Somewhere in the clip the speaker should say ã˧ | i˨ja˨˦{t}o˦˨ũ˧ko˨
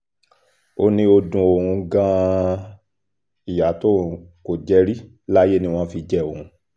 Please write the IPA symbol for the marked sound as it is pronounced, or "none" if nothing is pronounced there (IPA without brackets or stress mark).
t